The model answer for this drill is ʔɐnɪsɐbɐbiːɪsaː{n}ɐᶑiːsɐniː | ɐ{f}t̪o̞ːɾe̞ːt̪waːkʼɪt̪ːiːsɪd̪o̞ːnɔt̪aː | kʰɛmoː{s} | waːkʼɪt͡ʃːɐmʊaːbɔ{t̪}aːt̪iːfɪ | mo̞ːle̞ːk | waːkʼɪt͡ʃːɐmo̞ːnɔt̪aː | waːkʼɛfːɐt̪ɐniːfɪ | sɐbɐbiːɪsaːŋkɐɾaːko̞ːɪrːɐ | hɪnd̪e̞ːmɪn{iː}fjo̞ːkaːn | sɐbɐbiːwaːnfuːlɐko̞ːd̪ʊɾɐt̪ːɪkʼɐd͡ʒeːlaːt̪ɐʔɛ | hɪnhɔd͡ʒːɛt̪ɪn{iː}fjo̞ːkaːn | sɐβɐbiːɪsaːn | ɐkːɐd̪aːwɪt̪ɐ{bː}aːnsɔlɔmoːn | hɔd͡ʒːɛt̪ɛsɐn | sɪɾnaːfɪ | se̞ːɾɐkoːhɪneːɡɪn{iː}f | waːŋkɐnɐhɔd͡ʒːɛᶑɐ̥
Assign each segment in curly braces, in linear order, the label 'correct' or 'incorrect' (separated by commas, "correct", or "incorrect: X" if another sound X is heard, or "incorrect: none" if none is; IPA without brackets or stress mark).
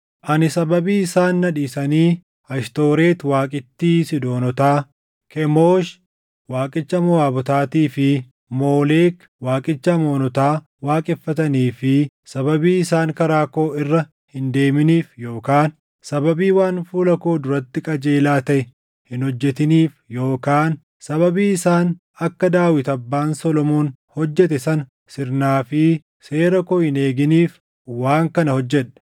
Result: incorrect: nː, incorrect: ʃ, incorrect: ʃ, correct, correct, correct, correct, correct